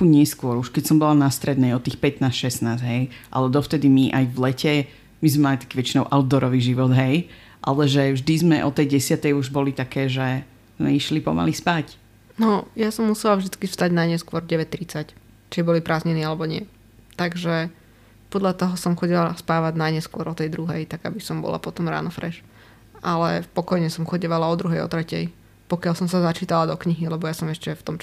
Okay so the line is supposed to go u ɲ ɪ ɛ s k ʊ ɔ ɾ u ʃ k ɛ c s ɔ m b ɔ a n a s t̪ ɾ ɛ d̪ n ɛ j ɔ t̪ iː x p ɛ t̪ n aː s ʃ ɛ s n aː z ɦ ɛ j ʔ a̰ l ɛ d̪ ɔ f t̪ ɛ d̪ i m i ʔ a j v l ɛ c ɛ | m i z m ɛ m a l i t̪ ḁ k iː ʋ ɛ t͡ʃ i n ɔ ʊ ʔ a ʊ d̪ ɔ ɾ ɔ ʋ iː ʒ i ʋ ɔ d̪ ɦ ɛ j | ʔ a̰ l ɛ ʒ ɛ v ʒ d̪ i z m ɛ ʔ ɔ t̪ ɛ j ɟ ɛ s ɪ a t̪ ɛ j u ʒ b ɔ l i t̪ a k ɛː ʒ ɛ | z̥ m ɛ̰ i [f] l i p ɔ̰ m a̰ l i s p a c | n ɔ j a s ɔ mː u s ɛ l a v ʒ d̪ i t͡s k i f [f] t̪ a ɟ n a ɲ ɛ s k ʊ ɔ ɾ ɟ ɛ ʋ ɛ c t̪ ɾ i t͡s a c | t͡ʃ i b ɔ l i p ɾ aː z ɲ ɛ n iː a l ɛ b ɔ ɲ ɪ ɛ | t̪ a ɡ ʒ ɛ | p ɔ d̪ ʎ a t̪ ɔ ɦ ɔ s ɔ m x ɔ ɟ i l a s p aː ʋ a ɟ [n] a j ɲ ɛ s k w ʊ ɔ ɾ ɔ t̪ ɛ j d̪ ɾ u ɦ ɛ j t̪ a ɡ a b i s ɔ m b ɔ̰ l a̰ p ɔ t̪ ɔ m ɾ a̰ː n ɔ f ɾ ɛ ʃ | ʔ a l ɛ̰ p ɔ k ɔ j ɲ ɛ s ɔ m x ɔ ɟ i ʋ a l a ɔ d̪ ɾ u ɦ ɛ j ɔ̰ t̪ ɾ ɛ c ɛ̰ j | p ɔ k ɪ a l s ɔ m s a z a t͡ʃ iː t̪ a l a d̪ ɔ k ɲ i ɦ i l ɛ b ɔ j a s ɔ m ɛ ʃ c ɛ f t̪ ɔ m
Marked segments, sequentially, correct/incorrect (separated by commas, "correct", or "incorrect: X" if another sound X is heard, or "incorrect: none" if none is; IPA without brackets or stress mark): incorrect: ʃ, incorrect: s, correct